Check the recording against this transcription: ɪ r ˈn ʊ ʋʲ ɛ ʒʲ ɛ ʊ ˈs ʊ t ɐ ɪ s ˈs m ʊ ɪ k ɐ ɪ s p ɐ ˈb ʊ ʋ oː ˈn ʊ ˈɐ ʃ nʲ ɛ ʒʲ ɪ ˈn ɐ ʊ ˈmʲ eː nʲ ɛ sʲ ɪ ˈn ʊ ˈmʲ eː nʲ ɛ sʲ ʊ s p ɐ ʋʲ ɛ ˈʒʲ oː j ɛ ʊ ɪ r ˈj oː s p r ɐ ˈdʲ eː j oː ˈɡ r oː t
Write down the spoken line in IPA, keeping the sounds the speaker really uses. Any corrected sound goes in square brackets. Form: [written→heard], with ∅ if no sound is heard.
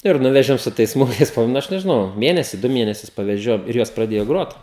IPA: ɪ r ˈn ʊ ʋʲ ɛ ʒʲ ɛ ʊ ˈs ʊ t ɐ ɪ s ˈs m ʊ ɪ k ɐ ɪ s p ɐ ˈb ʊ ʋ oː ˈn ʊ ˈɐ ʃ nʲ ɛ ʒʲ ɪ ˈn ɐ ʊ ˈmʲ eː nʲ ɛ sʲ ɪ [ˈn→ˈd] ʊ ˈmʲ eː nʲ ɛ sʲ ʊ s p ɐ ʋʲ ɛ ˈʒʲ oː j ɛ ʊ ɪ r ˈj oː s p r ɐ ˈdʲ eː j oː ˈɡ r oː t